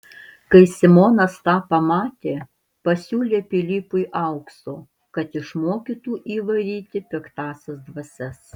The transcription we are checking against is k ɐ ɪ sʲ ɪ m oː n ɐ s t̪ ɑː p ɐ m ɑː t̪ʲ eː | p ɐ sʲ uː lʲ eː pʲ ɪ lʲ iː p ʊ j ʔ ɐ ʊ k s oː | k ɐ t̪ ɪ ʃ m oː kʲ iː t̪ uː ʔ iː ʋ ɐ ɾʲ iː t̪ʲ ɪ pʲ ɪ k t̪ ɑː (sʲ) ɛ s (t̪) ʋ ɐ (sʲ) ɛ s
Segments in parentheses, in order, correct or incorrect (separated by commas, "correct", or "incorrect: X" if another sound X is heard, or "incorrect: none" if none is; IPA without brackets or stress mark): correct, incorrect: d̪, correct